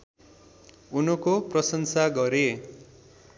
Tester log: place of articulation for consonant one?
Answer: alveolar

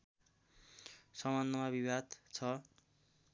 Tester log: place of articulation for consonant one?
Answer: alveolar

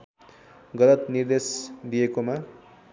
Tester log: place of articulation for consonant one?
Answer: velar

